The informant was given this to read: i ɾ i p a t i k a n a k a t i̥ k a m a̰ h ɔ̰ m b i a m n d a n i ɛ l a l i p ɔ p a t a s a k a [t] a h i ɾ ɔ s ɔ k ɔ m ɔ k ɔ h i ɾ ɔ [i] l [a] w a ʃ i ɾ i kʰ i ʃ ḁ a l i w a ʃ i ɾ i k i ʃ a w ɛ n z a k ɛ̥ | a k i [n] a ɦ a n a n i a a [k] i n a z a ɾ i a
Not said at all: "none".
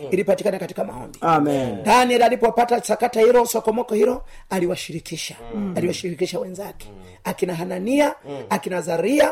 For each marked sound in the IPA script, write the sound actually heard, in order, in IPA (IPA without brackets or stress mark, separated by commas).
t, a, i, n, k